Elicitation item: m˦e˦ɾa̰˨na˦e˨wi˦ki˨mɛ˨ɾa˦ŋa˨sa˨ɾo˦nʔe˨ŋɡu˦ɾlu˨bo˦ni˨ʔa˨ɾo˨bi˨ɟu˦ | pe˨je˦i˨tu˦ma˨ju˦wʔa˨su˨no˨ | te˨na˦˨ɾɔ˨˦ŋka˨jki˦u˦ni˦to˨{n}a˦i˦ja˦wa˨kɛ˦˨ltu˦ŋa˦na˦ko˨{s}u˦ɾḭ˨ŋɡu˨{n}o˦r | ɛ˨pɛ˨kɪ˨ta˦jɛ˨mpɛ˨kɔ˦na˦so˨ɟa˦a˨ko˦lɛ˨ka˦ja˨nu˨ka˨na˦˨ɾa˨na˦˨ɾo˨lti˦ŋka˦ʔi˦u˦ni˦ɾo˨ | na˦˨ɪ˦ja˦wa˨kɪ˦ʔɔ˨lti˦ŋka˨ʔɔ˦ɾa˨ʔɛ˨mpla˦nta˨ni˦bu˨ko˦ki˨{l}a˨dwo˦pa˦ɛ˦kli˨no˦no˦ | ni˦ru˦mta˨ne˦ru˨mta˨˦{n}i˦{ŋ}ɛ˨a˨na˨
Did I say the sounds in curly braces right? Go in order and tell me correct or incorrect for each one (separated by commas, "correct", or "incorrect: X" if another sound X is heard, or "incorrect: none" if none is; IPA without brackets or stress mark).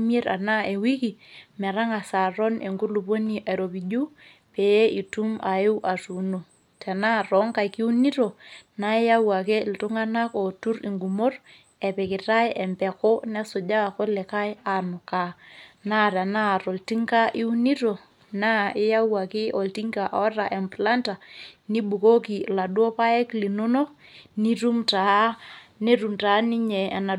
correct, incorrect: t, incorrect: m, correct, correct, incorrect: ɲ